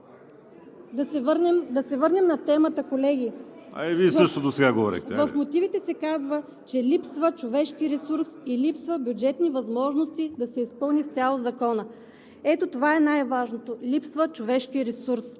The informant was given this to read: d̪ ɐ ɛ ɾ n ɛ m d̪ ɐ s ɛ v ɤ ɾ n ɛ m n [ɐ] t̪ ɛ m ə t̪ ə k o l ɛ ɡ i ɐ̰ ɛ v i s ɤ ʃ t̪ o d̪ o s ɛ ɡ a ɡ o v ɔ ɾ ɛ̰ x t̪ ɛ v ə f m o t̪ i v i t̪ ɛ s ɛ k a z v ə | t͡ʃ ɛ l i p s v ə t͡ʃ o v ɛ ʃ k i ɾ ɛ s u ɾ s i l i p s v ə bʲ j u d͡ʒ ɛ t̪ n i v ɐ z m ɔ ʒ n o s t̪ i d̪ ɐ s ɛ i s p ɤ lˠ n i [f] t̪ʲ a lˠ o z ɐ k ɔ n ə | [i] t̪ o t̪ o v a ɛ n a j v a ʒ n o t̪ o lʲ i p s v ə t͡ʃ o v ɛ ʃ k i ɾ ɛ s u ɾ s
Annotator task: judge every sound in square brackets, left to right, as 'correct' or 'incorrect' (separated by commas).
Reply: correct, correct, incorrect